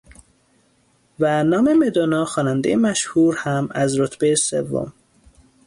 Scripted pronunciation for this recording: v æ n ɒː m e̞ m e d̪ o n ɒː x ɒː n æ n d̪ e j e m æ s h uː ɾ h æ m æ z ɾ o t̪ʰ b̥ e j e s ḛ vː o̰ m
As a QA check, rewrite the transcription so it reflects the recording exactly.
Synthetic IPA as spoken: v æ n ɒː m e̞ m e d̪ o n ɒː x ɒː n æ n d̪ e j e m æ ʃ h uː ɾ h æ m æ z ɾ o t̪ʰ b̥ e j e s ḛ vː o̰ m